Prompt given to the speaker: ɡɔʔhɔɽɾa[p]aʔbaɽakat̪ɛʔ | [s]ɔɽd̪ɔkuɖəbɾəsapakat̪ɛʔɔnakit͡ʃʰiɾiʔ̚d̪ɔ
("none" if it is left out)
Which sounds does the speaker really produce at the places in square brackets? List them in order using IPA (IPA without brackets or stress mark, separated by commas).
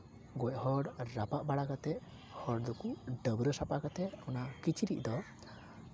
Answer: p, h